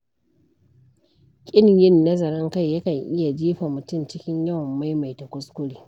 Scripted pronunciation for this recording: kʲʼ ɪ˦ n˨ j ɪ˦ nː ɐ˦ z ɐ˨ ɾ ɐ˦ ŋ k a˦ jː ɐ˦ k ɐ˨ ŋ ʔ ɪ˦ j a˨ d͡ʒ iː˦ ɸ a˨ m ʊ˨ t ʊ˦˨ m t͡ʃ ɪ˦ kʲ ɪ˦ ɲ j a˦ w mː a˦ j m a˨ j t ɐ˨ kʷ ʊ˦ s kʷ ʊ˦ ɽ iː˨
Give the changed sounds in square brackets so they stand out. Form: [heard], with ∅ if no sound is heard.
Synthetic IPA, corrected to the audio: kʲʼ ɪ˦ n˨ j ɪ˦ nː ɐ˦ z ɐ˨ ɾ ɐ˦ ŋ k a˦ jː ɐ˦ k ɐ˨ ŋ ʔ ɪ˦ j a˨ d͡ʒ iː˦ ɸ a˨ m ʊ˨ t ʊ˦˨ m t͡ʃ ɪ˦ kʲ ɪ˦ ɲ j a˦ w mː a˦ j m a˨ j t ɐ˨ kʷ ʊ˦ s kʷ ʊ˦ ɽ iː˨